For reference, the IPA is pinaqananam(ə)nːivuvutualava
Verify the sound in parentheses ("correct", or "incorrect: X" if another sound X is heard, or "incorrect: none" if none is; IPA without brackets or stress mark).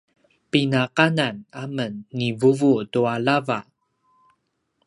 correct